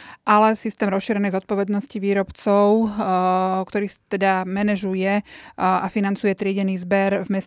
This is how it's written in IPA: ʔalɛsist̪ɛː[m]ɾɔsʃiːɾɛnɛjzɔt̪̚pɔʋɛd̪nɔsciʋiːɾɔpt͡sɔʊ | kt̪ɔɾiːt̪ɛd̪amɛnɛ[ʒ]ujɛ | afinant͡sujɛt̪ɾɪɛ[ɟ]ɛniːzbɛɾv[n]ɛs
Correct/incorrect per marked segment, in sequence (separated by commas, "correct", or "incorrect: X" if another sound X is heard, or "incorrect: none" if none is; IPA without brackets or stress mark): correct, correct, correct, incorrect: m